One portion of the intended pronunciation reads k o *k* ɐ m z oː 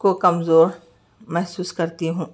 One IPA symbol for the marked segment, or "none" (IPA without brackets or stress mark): k